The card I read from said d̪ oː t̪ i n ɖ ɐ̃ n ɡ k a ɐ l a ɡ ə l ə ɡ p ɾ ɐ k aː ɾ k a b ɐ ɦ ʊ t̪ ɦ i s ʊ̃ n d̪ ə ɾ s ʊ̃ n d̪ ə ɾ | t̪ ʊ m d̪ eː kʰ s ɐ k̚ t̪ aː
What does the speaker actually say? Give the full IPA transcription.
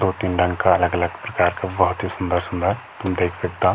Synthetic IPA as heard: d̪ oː t̪ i n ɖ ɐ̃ ŋ ɡ k a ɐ l ə ɡ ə l ə ɡ p ɾ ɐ k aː ɾ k a b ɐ ɦ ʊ t̪ ɦ i s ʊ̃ n d̪ ə ɾ s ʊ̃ n d̪ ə ɾ | t̪ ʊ m d̪ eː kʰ s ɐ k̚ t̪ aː

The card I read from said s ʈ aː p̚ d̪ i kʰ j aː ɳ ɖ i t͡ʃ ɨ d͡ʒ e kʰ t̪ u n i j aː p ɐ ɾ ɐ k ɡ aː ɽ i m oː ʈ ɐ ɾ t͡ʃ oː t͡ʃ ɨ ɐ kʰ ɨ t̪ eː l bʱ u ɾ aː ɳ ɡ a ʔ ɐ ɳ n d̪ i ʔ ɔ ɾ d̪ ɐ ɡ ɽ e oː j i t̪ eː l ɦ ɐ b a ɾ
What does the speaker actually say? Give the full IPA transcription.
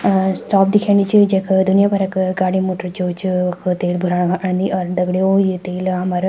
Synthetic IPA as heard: s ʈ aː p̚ d̪ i kʰ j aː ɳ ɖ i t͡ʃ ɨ d͡ʒ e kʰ d̪ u n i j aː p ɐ ɾ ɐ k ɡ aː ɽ i m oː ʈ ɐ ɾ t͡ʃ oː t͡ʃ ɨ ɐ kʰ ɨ t̪ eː l bʱ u ɾ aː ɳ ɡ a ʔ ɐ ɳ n d̪ i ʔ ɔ ɾ d̪ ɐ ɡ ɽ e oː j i t̪ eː l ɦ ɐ m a ɾ

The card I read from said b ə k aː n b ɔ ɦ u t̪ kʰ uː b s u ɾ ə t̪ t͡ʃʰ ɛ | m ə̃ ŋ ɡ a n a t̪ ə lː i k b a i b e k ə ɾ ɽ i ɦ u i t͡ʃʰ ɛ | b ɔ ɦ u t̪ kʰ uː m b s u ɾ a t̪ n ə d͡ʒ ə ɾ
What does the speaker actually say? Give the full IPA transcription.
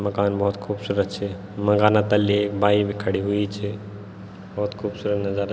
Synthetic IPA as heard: m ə k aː n b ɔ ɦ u t̪ kʰ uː b s u ɾ ə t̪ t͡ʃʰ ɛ | m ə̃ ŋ ɡ a n a t̪ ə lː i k b a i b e kʰ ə ɽ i ɦ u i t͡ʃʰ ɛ | b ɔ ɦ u t̪ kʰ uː b s u ɾ ə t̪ n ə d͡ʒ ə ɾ

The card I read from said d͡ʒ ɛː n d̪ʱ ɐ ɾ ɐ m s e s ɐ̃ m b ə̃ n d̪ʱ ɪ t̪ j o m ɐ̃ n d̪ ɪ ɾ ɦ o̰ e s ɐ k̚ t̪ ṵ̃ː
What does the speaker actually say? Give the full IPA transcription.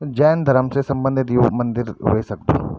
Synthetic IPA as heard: d͡ʒ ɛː n d̪ʱ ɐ ɾ ə m s e s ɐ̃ m b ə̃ n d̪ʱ ɪ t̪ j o m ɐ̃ n d̪ ɪ ɾ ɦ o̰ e s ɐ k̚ d̪ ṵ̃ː

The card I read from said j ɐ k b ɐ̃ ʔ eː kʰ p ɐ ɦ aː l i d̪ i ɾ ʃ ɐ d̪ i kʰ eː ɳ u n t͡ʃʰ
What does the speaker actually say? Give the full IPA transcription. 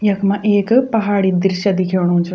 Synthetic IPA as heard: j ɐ k m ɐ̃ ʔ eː k p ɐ ɦ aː ɽ i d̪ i ɾ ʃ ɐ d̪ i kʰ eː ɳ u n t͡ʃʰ

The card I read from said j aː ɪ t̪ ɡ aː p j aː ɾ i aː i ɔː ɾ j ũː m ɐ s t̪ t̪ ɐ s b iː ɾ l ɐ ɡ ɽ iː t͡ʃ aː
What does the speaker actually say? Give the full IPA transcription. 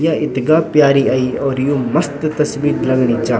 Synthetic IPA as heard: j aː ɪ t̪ ɡ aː p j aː ɾ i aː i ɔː ɾ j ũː m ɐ s t̪ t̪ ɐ s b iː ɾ l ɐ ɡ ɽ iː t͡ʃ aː

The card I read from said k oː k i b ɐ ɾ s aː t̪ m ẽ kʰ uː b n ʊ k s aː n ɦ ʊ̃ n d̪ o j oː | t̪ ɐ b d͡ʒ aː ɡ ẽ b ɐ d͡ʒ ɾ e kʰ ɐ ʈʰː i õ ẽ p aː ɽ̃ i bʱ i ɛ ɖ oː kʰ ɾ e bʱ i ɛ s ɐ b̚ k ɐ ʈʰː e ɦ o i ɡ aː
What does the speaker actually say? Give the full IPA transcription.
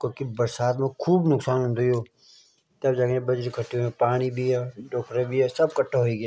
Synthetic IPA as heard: k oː k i b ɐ ɾ s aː t̪ m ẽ kʰ uː b n ʊ k s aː n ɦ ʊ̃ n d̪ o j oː | t̪ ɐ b d͡ʒ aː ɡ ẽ b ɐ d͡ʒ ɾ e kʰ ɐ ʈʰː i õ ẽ p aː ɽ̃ i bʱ i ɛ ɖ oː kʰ ɾ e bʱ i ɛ s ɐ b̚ k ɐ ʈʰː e ɦ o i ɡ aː

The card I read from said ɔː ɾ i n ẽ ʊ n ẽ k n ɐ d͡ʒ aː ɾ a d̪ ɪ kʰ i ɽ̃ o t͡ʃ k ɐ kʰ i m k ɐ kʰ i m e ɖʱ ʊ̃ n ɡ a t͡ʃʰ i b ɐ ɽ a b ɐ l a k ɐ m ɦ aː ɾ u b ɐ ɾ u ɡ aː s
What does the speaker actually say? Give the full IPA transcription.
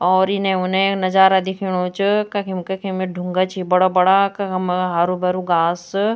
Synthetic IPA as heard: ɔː ɾ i n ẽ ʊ n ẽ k n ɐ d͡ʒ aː ɾ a d̪ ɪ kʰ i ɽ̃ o t͡ʃ k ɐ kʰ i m k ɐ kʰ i m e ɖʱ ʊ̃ ŋ ɡ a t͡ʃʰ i b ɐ ɽ a b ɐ ɽ a k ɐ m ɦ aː ɾ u b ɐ ɾ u ɡ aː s

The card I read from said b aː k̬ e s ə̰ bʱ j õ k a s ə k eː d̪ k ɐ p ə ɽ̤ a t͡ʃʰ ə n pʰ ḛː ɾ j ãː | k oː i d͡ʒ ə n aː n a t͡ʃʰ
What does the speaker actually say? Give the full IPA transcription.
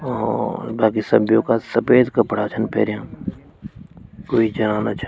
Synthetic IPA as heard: b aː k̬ i s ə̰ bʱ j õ k a s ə p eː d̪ k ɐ p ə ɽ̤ a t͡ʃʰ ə n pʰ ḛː ɾ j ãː | k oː i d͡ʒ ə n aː n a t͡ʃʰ

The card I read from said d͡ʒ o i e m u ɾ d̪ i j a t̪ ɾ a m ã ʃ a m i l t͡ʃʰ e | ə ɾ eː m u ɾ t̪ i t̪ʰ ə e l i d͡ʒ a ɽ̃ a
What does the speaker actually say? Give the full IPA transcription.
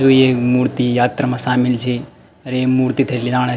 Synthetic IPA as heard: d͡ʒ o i e m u ɾ t̪ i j a t̪ ɾ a m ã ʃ a m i l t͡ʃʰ e | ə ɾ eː m u ɾ t̪ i t̪ʰ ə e l i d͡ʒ a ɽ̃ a

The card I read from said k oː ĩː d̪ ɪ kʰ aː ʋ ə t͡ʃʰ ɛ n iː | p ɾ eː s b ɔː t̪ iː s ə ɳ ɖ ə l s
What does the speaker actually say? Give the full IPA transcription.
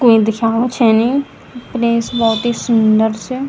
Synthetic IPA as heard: k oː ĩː d̪ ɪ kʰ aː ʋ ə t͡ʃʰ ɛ n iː | p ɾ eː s b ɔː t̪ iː s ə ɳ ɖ ə ɾ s

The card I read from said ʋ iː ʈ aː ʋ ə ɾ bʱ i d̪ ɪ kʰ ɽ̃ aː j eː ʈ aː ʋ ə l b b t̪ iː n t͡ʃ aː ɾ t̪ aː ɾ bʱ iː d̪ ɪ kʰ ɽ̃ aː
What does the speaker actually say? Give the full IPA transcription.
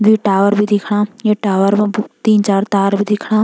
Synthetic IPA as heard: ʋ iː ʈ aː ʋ ə ɾ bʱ i d̪ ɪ kʰ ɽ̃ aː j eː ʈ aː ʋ ə ɾ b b t̪ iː n t͡ʃ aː ɾ t̪ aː ɾ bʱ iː d̪ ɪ kʰ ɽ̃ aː

